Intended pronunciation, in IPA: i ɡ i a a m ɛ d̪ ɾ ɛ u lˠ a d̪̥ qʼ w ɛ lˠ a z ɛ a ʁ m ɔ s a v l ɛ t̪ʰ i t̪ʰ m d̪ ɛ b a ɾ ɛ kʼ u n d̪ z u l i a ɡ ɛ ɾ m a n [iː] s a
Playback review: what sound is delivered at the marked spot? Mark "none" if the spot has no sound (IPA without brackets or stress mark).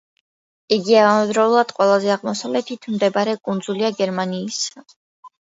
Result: iː